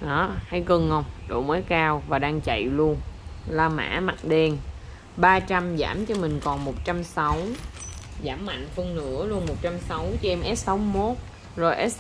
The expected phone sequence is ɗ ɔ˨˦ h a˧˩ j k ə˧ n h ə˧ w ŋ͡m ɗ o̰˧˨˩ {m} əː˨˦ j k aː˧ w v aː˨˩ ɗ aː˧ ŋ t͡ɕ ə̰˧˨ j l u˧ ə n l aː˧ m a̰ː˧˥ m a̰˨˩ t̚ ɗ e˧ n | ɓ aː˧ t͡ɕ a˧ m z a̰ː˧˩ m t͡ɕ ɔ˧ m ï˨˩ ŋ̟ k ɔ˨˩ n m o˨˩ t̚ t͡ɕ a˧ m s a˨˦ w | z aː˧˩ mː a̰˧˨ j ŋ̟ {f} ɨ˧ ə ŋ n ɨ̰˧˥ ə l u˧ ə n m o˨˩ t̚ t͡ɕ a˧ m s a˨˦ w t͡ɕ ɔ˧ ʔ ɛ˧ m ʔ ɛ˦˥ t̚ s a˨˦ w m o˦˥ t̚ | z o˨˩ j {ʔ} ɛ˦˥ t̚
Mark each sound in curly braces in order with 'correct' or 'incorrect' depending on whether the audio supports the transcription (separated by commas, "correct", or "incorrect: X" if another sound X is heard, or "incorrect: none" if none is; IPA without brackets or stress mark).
correct, correct, correct